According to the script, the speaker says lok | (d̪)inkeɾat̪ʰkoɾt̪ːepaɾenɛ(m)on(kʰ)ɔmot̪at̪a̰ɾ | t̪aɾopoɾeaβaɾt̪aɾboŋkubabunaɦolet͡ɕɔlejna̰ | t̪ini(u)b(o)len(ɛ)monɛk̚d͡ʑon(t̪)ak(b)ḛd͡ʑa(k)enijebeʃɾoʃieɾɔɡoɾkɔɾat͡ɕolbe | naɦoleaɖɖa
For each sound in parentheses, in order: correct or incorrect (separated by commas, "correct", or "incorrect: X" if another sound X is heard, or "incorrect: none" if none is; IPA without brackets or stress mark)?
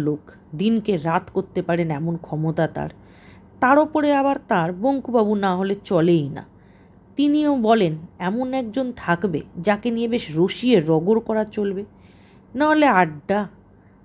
correct, correct, correct, incorrect: o, incorrect: ɔ, correct, incorrect: t̪ʰ, correct, correct